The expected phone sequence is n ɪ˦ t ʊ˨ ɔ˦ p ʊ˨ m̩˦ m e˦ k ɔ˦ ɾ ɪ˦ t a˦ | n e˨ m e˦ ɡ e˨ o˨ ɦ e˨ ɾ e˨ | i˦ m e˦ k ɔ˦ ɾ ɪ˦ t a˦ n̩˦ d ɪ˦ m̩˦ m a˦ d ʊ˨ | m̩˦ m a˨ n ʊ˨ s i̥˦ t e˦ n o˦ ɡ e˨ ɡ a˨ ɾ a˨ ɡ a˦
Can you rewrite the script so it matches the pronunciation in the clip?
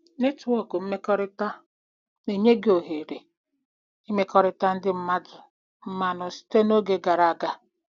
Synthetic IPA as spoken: n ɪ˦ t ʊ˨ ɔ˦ k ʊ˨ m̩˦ m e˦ k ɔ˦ ɾ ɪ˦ t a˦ | n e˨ ɲ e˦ ɡ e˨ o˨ ɦ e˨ ɾ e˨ | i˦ m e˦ k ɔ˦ ɾ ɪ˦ t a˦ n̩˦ d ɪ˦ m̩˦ m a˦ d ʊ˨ | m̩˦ m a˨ n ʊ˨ s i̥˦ t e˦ n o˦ ɡ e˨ ɡ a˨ ɾ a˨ ɡ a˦